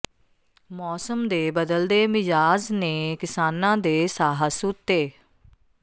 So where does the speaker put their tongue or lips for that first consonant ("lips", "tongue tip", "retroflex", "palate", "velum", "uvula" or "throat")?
lips